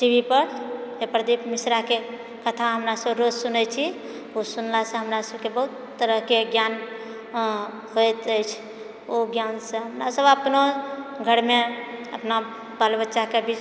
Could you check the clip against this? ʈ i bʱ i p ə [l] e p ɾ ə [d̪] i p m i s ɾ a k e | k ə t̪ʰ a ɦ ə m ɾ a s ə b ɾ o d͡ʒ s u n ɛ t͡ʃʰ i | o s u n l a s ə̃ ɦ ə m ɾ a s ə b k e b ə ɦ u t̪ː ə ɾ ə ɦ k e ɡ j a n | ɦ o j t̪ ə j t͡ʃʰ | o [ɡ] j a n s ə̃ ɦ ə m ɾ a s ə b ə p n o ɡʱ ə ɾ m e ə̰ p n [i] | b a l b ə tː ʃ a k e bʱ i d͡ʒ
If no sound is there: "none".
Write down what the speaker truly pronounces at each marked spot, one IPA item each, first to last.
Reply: ɾ, d̪, ɡ, a

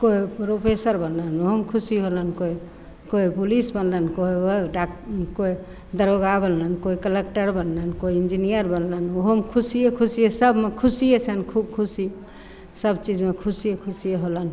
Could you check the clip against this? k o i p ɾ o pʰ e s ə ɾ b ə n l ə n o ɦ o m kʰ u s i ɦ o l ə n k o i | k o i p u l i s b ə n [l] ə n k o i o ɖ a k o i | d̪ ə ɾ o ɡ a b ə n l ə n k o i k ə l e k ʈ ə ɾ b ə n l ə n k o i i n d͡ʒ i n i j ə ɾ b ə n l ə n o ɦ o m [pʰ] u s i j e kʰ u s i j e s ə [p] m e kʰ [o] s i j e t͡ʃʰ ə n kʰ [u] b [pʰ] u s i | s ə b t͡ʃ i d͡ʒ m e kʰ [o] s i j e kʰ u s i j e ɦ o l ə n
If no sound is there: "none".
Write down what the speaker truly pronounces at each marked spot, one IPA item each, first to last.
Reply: l, kʰ, b, u, u, kʰ, u

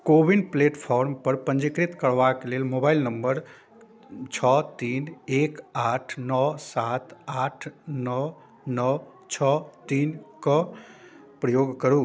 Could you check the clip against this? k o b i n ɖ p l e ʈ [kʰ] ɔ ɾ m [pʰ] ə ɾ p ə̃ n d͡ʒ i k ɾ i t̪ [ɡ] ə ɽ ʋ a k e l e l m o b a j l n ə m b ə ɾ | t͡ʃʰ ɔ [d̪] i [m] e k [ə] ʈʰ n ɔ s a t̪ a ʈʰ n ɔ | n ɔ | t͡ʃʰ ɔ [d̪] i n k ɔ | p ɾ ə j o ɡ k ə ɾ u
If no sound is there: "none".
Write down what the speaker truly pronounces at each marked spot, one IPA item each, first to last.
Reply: pʰ, p, k, t̪, n, a, t̪

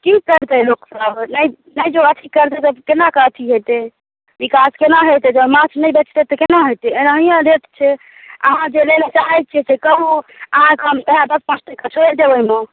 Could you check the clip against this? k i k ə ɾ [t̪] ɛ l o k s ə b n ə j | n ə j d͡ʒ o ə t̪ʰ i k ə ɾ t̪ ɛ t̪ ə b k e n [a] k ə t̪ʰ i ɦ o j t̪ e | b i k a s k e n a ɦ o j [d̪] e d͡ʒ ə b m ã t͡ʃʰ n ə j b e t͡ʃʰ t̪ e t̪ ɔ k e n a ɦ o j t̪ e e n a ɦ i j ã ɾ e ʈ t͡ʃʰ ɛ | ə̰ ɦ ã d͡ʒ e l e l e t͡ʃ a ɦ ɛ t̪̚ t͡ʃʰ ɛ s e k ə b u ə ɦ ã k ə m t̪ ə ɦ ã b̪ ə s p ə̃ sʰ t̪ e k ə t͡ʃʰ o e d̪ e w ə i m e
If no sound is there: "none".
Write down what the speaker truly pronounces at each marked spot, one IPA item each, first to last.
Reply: t̪, a, t̪

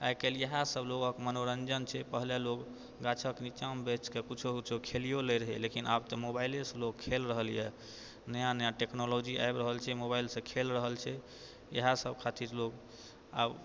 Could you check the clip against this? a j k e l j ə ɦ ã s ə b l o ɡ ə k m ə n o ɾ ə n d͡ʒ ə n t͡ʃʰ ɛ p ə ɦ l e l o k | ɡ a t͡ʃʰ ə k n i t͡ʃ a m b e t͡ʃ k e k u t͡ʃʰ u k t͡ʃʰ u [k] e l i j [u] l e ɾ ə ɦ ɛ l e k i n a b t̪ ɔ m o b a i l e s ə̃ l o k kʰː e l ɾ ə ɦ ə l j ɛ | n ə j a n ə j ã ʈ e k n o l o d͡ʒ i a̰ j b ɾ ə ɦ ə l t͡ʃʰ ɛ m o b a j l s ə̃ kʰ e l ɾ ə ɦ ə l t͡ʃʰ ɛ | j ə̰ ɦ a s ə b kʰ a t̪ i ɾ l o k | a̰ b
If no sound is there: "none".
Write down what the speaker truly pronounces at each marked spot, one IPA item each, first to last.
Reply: kʰ, o

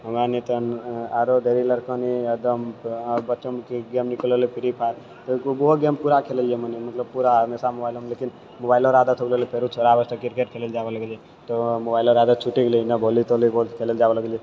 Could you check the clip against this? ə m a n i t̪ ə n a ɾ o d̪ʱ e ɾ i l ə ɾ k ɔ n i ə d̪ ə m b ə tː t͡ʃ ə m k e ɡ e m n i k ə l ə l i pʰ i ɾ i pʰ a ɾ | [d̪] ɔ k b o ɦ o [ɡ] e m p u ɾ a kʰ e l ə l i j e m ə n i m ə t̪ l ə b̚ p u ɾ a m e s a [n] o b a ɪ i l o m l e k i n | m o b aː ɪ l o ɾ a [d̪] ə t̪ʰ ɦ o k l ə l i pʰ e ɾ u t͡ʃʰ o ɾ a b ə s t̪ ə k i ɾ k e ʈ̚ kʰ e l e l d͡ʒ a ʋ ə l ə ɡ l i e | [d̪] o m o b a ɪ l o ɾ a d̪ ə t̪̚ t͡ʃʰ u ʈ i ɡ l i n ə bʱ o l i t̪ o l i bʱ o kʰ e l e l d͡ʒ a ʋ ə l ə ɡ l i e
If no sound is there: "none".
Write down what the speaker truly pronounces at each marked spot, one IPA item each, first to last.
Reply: t̪, ɡ, m, d̪, t̪

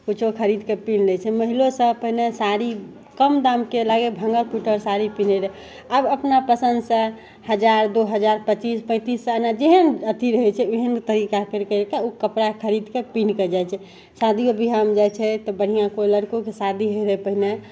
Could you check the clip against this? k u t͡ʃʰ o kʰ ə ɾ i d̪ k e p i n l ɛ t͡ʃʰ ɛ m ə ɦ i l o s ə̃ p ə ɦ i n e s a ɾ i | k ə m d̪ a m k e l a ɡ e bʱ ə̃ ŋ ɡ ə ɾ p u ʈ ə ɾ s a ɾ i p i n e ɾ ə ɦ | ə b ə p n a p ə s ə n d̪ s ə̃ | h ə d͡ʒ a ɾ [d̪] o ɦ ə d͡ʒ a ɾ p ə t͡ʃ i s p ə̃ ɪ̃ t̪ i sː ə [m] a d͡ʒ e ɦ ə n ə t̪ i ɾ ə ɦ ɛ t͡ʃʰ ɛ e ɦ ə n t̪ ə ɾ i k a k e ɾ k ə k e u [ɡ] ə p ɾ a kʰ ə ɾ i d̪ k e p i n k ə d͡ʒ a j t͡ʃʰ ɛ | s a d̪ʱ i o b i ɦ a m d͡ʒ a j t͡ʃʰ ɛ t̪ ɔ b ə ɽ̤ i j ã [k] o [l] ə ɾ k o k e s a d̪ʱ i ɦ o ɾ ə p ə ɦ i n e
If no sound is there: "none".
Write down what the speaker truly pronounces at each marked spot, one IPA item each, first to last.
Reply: d̪, n, k, k, l

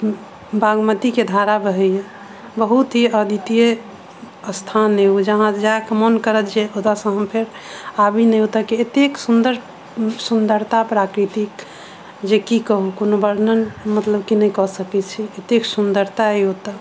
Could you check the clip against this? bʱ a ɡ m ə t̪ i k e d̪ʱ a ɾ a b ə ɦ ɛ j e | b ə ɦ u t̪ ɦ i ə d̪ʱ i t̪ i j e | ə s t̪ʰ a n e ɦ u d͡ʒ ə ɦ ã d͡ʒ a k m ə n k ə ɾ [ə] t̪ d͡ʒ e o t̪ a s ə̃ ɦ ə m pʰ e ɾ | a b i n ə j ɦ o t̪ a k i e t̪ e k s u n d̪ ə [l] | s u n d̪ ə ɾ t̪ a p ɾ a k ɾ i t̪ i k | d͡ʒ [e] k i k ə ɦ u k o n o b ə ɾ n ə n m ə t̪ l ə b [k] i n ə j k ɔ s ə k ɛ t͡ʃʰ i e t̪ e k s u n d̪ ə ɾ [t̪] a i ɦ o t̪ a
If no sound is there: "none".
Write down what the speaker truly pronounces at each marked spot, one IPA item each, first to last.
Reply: ə, ɾ, e, k, t̪

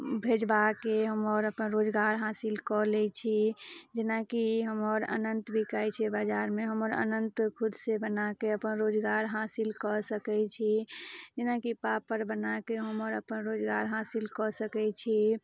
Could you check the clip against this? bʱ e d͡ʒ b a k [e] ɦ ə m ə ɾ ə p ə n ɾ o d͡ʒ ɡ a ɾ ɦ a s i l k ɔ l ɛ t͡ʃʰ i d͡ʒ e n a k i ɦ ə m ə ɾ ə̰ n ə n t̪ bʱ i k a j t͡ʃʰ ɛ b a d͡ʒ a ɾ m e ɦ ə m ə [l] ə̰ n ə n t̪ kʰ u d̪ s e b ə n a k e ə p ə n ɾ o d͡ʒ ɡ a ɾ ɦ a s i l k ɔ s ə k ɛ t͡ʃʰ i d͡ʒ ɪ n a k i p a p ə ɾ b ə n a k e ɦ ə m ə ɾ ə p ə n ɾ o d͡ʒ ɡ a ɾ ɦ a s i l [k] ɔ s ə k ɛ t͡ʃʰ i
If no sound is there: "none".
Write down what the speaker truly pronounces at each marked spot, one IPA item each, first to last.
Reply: e, ɾ, k

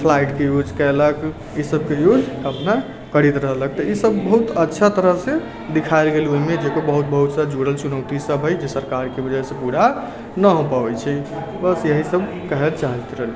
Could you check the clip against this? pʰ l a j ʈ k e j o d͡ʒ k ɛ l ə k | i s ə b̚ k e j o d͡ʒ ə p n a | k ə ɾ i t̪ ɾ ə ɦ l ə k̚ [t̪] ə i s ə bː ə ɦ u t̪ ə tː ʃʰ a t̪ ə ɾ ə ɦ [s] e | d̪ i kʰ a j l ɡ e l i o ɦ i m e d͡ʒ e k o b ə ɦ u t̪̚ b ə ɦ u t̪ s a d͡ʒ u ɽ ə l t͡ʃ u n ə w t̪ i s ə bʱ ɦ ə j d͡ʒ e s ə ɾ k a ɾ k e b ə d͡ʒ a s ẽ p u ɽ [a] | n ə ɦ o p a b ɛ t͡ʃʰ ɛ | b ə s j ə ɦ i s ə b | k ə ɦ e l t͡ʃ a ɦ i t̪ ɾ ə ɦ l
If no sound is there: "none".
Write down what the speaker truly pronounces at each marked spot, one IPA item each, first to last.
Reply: t̪, s, a

